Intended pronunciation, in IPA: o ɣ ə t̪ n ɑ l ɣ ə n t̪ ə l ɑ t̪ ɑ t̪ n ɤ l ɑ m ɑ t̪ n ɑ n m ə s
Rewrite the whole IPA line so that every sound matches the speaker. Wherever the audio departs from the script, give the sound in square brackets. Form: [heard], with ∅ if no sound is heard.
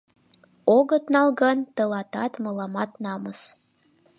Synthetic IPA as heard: o ɣ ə t̪ n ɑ l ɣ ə n t̪ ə l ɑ t̪ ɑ t̪ [m] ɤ l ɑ m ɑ t̪ n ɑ [∅] m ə s